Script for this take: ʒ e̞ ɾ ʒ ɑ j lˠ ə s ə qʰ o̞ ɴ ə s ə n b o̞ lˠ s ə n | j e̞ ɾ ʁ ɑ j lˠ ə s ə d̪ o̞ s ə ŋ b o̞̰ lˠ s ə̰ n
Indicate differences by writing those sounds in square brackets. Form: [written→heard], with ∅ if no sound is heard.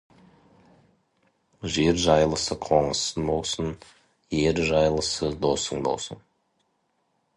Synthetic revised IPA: ʒ e̞ ɾ ʒ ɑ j lˠ ə s ə qʰ o̞ ɴ ə s ə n b o̞ lˠ s ə n | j e̞ ɾ [ʁ→ʒ] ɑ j lˠ ə s ə d̪ o̞ s ə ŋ b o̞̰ lˠ s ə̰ n